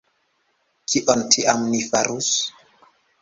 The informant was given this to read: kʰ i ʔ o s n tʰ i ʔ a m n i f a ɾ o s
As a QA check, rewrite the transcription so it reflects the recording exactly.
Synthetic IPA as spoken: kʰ i ʔ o n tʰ i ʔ a m n i f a ɾ u s